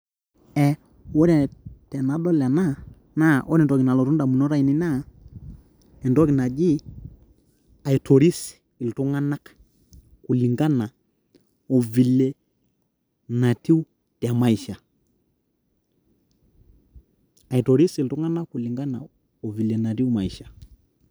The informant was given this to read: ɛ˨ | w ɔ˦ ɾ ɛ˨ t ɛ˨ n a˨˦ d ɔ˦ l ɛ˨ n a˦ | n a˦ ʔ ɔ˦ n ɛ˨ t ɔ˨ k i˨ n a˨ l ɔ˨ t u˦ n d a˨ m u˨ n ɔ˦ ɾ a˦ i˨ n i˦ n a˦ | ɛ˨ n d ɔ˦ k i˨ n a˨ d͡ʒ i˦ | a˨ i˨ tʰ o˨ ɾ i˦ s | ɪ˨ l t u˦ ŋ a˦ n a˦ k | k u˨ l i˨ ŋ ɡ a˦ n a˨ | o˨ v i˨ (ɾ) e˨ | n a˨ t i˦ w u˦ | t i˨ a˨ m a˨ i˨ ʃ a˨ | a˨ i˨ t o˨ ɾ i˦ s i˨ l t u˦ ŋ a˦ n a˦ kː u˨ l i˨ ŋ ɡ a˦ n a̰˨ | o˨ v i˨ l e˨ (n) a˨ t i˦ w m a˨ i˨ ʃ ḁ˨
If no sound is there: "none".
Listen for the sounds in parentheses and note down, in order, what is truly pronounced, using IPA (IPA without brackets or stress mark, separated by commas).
l, n